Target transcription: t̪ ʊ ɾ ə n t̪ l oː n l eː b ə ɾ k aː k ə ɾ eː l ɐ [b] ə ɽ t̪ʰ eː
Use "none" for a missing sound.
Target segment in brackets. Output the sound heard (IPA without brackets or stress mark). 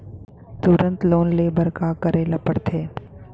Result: p